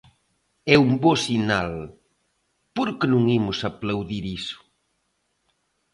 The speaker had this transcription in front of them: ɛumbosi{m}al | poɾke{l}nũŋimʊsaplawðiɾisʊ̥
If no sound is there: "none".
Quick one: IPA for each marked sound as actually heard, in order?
n, none

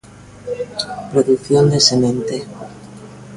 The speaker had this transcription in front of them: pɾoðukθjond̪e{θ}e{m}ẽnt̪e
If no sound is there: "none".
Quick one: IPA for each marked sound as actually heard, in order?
s, m

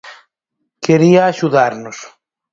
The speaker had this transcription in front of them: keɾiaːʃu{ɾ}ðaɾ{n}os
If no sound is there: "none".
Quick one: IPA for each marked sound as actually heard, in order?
none, n

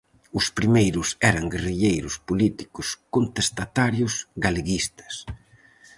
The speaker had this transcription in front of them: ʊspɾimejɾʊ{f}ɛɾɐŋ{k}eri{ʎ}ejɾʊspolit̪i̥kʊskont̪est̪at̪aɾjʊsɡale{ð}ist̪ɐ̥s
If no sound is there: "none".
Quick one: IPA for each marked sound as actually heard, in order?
s, ɡ, ʎ, ɣ

